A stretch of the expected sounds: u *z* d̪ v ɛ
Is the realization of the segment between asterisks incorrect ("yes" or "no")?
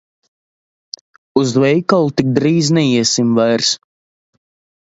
no